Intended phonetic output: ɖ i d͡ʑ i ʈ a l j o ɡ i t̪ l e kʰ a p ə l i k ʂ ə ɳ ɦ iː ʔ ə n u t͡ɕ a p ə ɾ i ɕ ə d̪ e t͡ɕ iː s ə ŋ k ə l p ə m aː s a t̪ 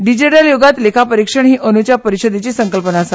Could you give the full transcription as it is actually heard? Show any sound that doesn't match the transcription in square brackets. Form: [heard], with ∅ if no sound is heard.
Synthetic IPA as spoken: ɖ i d͡ʑ i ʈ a l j o ɡ [a] t̪ l e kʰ a p ə [ɾ] i k ʂ ə ɳ ɦ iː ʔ ə n u t͡ɕ a p ə ɾ i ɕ ə d̪ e t͡ɕ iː s ə ŋ k ə l p ə [n] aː s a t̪